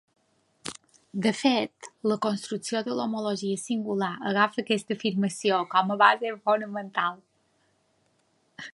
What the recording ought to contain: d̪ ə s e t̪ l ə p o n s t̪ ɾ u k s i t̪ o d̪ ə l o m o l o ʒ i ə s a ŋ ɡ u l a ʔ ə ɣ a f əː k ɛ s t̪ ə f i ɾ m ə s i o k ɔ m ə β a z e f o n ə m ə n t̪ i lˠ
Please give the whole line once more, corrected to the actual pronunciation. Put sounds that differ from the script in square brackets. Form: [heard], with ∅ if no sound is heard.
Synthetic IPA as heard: d̪ ə [f] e t̪ l ə [k] o n s t̪ ɾ u k s i [∅] o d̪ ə l o m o l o ʒ i ə s [i] ŋ ɡ u l a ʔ ə ɣ a f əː k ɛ s t̪ ə f i ɾ m ə s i o k ɔ m ə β a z e f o n ə m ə n t̪ [a] lˠ